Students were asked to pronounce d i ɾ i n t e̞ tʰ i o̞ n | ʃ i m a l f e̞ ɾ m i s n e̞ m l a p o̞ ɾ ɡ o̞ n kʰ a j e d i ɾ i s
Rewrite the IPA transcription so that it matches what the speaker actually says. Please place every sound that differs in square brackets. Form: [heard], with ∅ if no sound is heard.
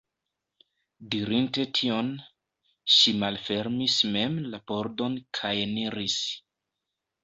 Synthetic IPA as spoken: d i ɾ i n t e̞ tʰ i o̞ n | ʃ i m a l f e̞ ɾ m i s [m] e̞ m l a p o̞ ɾ [d] o̞ n kʰ a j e [n] i ɾ i s